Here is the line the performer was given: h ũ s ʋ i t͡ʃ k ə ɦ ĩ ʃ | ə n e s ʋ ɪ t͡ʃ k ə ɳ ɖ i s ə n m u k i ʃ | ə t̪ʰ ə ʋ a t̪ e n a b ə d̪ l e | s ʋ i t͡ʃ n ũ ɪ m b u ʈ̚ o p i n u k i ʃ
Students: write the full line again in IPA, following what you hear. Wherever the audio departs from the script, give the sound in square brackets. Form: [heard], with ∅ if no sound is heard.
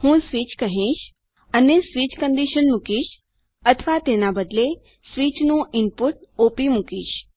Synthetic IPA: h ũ s ʋ i t͡ʃ k ə ɦ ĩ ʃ | ə n e s ʋ [i] t͡ʃ k ə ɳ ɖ i [ʃ] ə n m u k i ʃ | ə t̪ʰ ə ʋ a t̪ e n a b ə d̪ l e | s ʋ i t͡ʃ n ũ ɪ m [p] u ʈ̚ o p i [m] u k i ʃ